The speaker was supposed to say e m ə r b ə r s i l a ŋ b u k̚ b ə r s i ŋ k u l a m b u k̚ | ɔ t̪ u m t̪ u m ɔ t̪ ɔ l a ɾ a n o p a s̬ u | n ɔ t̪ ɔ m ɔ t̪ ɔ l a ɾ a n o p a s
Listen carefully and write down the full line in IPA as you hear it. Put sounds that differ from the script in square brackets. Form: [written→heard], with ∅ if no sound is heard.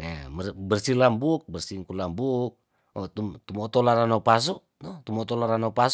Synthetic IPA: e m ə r b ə r s i l a [ŋ→m] b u k̚ b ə r s i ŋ k u l a m b u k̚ | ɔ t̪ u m t̪ u m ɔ t̪ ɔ l a ɾ a n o p a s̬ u | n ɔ t̪ [ɔ→u] m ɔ t̪ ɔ l a ɾ a n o p a s